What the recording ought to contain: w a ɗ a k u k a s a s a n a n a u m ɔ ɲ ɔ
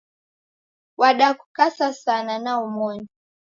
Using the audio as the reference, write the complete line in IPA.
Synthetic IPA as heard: w a ɗ a k u k a s a s a n a n a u m ɔ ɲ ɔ